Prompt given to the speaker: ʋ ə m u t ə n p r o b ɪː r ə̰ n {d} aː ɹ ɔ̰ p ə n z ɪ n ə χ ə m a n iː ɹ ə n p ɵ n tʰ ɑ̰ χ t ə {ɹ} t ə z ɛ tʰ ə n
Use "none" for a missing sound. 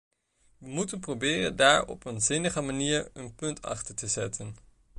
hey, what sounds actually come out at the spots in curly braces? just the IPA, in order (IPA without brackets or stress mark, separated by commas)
d, ɹ